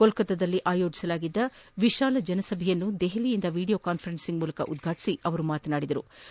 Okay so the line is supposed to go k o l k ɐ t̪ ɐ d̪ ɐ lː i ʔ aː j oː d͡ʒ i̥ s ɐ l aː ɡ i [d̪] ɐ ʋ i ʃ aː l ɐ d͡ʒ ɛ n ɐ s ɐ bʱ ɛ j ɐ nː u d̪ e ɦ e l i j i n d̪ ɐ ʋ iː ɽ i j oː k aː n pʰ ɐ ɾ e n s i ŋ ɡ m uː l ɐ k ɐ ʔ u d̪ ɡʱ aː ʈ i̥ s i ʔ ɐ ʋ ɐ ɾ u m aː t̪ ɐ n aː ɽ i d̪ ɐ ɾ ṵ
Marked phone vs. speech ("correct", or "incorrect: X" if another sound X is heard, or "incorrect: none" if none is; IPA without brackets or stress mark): incorrect: d̪ː